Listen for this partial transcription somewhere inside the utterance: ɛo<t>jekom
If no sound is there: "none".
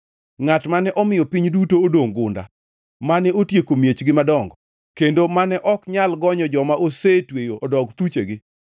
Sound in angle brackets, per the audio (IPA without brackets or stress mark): t